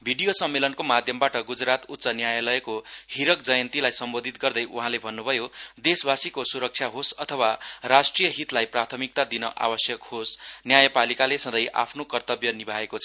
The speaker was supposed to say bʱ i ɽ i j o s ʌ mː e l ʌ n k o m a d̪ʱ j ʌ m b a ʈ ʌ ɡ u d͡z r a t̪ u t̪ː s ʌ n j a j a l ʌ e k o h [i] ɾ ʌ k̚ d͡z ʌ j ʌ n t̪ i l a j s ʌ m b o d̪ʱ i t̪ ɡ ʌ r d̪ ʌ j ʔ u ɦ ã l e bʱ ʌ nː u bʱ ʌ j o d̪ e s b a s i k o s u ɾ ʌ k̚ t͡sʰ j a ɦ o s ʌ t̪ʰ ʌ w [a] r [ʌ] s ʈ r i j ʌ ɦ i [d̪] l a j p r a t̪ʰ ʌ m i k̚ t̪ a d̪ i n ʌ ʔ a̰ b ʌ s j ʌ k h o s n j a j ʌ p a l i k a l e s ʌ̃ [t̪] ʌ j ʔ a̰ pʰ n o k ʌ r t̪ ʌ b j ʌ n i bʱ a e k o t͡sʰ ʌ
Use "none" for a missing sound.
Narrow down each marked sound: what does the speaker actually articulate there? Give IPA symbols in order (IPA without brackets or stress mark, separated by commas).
i, a, a, t̪, d̪